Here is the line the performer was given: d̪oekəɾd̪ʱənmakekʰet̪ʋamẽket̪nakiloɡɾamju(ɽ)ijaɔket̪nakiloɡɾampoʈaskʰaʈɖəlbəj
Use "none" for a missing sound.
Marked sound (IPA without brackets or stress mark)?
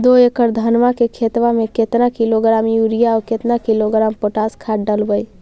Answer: ɾ